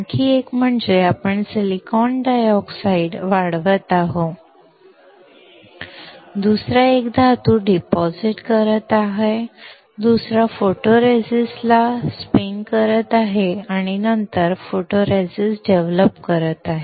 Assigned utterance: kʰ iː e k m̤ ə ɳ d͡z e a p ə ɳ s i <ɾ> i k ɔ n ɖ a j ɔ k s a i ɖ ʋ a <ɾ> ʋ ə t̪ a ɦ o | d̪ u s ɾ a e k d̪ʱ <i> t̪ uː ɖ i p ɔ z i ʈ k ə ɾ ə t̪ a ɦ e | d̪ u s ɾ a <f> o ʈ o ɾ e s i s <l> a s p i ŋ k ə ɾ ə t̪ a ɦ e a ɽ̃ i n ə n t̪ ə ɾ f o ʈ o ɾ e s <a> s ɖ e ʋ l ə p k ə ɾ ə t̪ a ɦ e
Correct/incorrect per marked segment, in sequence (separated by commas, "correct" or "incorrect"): incorrect, incorrect, incorrect, correct, correct, incorrect